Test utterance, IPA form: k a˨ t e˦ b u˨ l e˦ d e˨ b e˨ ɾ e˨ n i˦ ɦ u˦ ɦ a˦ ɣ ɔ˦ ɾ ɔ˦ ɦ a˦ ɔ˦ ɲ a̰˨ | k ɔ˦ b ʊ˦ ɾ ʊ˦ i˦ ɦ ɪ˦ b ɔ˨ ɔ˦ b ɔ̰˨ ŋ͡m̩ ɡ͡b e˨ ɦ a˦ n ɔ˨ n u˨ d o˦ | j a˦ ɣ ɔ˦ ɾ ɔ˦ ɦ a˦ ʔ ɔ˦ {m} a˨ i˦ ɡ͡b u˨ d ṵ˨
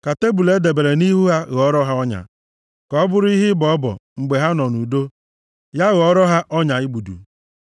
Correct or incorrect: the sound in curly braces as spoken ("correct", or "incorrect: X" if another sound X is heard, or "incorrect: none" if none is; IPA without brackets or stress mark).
incorrect: ɲ